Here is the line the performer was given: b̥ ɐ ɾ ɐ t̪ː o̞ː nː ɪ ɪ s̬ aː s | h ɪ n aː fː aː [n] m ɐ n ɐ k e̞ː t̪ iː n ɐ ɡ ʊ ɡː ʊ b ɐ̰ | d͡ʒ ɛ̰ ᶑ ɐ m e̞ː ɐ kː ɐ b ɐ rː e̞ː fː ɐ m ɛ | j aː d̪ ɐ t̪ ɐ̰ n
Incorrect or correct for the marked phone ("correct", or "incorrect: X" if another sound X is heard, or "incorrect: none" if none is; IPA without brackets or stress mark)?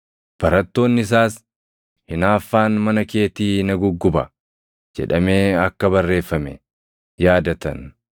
correct